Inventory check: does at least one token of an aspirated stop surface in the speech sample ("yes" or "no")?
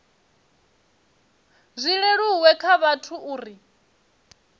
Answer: yes